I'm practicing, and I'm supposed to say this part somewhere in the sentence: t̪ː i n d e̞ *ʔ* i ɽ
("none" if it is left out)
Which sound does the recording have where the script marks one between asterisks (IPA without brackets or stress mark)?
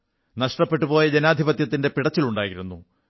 p